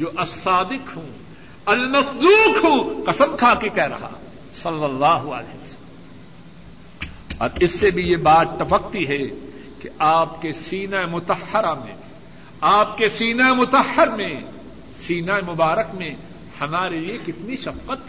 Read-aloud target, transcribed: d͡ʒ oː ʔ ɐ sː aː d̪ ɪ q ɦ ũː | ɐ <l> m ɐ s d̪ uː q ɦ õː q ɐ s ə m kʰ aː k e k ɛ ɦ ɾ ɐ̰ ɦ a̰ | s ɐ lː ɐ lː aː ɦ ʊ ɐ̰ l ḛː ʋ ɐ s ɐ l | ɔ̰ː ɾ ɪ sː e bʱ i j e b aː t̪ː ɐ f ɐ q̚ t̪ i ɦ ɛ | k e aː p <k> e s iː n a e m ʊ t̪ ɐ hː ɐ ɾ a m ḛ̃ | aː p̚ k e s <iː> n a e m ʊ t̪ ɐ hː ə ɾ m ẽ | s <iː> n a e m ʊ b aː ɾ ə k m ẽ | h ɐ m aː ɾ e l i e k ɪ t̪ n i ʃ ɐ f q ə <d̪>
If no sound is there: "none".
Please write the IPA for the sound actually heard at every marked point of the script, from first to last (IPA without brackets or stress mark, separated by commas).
l, k, iː, iː, t̪